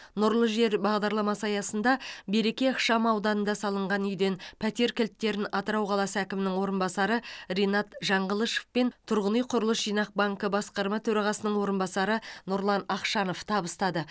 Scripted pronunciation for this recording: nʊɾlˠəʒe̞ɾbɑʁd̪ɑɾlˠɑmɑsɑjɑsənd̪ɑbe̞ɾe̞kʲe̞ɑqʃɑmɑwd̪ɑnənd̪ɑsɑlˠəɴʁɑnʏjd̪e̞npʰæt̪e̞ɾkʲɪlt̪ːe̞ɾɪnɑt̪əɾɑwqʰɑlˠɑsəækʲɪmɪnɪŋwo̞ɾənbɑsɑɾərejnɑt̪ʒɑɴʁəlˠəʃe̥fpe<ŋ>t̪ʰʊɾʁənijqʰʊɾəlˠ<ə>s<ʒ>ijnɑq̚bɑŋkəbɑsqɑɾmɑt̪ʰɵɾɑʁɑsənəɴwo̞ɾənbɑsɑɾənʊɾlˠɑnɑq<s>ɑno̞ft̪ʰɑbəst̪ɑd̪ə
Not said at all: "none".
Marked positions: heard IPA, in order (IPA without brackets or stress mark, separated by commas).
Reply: n, ə, ʒ, ʃ